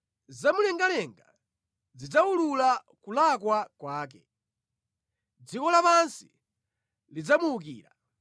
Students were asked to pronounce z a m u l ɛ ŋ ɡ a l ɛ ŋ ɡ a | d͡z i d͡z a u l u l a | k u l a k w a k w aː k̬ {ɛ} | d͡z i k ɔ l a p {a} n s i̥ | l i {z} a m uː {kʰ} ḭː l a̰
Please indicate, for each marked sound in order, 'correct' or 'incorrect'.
correct, correct, incorrect: d͡z, incorrect: k

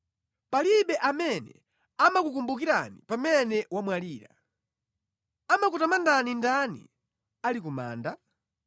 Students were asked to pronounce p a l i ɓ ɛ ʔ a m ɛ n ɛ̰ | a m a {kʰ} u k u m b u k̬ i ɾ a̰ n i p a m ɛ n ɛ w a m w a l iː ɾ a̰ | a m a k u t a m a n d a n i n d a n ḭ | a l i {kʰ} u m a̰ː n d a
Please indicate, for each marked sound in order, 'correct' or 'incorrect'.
incorrect: k, incorrect: k

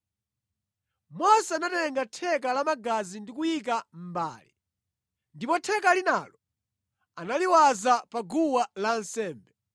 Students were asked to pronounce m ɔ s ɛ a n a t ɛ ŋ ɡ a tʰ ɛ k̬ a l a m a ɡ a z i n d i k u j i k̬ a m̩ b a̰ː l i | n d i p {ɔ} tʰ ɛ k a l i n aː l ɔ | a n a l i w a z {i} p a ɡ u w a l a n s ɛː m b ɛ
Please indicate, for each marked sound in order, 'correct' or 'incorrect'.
correct, incorrect: a

